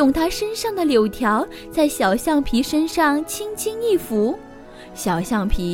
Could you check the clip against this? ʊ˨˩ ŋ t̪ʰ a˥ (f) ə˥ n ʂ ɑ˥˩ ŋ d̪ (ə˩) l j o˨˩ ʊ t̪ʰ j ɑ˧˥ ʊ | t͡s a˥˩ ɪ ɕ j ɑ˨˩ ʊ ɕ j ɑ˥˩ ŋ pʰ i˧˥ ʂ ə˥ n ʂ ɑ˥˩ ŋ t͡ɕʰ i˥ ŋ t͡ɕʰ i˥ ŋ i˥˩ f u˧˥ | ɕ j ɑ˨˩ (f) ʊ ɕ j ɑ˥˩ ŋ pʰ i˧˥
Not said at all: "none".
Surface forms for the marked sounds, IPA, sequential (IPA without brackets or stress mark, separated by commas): ʂ, ə˩, none